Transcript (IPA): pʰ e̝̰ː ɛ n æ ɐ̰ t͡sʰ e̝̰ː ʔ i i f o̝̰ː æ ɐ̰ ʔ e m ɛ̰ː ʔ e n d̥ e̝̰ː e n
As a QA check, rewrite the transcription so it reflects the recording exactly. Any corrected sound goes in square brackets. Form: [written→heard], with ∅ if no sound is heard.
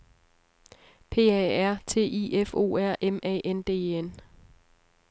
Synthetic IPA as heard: pʰ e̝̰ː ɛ [n→∅] æ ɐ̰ t͡sʰ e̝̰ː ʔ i [i→e] f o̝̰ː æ ɐ̰ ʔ e m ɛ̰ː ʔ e n d̥ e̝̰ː e n

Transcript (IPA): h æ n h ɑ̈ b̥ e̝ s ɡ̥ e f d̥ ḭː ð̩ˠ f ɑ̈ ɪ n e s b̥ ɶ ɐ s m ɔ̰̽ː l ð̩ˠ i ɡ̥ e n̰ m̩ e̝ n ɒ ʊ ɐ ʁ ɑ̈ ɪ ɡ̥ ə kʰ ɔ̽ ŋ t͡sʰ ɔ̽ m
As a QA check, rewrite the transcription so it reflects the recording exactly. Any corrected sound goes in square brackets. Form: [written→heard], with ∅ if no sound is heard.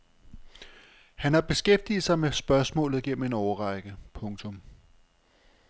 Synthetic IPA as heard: h æ n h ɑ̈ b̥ e̝ s ɡ̥ e f d̥ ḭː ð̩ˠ [f→s] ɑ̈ ɪ [n→m] e s b̥ ɶ ɐ s m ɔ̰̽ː l ð̩ˠ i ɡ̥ e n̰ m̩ e̝ n ɒ ʊ ɐ ʁ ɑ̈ ɪ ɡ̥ ə [kʰ→pʰ] ɔ̽ ŋ t͡sʰ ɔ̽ m

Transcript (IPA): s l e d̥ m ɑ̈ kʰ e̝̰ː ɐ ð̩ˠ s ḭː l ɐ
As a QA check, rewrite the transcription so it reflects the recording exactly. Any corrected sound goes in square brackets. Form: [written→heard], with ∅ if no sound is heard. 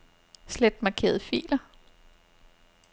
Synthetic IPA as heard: s l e d̥ m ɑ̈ kʰ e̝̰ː ɐ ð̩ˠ [s→f] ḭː l ɐ

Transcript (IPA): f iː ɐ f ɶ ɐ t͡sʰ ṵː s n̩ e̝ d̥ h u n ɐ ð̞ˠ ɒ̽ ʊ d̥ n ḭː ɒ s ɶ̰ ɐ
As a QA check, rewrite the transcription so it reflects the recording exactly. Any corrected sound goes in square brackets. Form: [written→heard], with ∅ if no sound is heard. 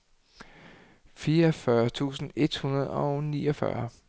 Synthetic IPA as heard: f iː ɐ f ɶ ɐ t͡sʰ ṵː s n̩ e̝ d̥ h u n ɐ ð̞ˠ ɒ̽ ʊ [d̥→∅] n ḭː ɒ [s→f] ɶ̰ ɐ

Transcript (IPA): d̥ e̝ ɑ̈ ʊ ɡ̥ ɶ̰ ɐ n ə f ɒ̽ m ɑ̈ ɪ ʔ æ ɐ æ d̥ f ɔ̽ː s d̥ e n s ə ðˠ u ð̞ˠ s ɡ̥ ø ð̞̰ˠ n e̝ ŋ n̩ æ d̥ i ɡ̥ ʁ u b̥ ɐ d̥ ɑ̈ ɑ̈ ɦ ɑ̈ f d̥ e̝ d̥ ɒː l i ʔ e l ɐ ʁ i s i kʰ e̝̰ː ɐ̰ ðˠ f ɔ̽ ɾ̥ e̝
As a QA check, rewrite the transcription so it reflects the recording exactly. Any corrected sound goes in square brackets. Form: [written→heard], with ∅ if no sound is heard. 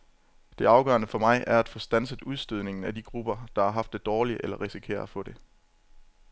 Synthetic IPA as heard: d̥ e̝ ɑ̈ ʊ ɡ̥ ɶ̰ ɐ n ə f ɒ̽ m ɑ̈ ɪ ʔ æ ɐ æ d̥ f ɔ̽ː s d̥ [e→æ] n s ə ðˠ u ð̞ˠ s [ɡ̥→d̥] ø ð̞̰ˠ n e̝ ŋ n̩ æ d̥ i ɡ̥ ʁ u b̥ ɐ d̥ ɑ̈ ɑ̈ ɦ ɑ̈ f d̥ e̝ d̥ ɒː l i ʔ e l ɐ ʁ i s i kʰ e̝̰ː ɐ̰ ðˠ f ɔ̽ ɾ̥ e̝

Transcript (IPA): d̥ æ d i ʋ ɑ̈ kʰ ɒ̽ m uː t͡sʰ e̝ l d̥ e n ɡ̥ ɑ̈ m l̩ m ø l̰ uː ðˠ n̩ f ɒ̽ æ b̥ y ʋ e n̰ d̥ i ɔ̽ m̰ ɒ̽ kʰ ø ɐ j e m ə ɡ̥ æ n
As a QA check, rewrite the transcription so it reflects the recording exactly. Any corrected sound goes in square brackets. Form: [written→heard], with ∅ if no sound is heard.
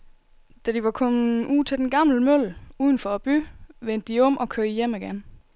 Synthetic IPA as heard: d̥ æ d i ʋ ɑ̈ kʰ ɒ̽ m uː t͡sʰ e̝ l d̥ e n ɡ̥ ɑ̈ m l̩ m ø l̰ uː ðˠ n̩ f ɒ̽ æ b̥ y ʋ e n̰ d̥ i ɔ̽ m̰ ɒ̽ kʰ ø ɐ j e m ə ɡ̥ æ n

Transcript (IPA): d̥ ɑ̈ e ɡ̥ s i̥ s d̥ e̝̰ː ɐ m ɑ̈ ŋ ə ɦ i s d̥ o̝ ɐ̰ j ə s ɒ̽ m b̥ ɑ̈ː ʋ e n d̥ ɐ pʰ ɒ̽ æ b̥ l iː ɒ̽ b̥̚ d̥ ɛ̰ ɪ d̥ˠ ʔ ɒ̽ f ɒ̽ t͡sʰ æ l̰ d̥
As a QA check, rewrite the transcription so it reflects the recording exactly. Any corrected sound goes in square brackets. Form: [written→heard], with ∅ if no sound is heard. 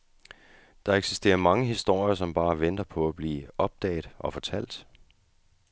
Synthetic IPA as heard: d̥ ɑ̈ e ɡ̥ s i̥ s d̥ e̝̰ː ɐ m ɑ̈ ŋ ə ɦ i s d̥ o̝ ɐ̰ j [ə→ɐ] s ɒ̽ m b̥ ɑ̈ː ʋ e n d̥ ɐ pʰ ɒ̽ æ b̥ l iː ɒ̽ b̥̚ d̥ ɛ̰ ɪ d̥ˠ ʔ ɒ̽ f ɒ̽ t͡sʰ æ l̰ d̥

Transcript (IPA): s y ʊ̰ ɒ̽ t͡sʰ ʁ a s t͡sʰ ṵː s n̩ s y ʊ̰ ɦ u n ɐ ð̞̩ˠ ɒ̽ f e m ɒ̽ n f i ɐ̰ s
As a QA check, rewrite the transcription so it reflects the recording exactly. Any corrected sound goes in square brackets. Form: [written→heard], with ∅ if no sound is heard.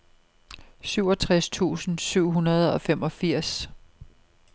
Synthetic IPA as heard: s y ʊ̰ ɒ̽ t͡sʰ ʁ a s t͡sʰ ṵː s n̩ s y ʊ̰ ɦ u n ɐ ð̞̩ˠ ɒ̽ f e m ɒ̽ [n→∅] f i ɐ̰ s

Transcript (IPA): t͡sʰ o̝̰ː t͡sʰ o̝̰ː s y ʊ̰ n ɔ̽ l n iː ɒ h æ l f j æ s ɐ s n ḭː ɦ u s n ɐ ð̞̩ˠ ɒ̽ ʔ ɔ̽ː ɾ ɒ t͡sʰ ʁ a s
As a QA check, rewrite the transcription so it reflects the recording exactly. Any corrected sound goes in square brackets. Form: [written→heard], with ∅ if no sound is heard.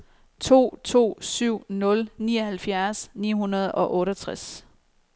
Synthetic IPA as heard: t͡sʰ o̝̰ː t͡sʰ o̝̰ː s y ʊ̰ n ɔ̽ l n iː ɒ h æ l f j æ [s→∅] ɐ s n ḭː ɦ u [s→∅] n ɐ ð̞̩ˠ ɒ̽ ʔ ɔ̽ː ɾ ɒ t͡sʰ ʁ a s

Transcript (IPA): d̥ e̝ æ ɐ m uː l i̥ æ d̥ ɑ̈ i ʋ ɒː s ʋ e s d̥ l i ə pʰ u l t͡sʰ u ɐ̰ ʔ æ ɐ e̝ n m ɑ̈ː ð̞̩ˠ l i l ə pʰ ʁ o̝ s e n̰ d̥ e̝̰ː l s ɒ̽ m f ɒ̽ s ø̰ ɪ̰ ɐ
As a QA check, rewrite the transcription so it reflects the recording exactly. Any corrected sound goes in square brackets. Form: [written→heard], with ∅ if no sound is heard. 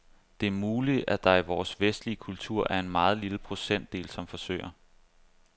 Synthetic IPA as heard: d̥ e̝ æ ɐ m uː l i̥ æ d̥ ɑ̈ i ʋ ɒː s ʋ e s d̥ l i ə [pʰ→kʰ] u l t͡sʰ u ɐ̰ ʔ æ ɐ e̝ n m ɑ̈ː ð̞̩ˠ l i l ə pʰ ʁ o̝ s e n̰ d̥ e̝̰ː l s ɒ̽ m f ɒ̽ s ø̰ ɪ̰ ɐ

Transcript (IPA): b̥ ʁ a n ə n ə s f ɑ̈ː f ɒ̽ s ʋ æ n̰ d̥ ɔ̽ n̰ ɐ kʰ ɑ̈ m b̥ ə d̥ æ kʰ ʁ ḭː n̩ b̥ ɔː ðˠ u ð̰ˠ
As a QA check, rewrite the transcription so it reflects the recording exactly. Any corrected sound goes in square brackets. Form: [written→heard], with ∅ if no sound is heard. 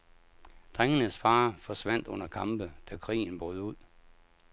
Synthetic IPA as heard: [b̥→d̥] ʁ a [n→ŋ] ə n ə s f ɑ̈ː f ɒ̽ s ʋ æ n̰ d̥ ɔ̽ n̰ ɐ kʰ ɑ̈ m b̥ ə d̥ æ kʰ ʁ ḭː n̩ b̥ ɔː ðˠ u ð̰ˠ

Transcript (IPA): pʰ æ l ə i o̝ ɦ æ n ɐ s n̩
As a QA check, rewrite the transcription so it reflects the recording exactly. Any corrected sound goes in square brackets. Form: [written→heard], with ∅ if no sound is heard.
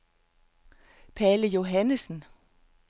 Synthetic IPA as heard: pʰ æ l ə [i→j] o̝ ɦ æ n [ɐ→ə] s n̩

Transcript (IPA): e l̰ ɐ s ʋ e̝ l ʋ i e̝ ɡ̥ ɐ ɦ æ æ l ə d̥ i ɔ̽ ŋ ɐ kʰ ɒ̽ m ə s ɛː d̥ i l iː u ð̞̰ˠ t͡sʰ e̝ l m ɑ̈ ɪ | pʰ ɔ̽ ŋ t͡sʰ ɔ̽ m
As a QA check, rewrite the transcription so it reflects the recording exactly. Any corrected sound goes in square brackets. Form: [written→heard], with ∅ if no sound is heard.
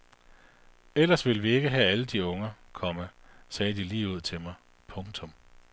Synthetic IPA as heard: e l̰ ɐ s ʋ e̝ l ʋ i e̝ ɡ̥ [ɐ→ə] ɦ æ æ l ə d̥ i ɔ̽ ŋ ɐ kʰ ɒ̽ m ə s ɛː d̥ i l iː u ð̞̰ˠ t͡sʰ e̝ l m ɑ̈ ɪ | pʰ ɔ̽ ŋ t͡sʰ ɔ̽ m

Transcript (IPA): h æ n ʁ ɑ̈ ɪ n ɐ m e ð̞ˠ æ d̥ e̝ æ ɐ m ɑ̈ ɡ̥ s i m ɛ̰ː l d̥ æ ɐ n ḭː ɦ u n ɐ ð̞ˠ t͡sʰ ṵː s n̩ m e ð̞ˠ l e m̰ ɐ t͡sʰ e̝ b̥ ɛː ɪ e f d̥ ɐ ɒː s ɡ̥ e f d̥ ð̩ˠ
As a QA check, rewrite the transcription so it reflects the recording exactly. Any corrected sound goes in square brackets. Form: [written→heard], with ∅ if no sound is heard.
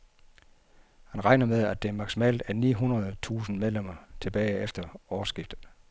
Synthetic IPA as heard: h æ n ʁ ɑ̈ ɪ n ɐ m e ð̞ˠ æ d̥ e̝ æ ɐ m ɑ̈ ɡ̥ s i m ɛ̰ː l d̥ æ ɐ n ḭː ɦ u n ɐ ð̞ˠ t͡sʰ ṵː s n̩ m e ð̞ˠ l e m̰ ɐ t͡sʰ e̝ b̥ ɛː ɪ e f d̥ ɐ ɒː s ɡ̥ [e→i] f d̥ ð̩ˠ

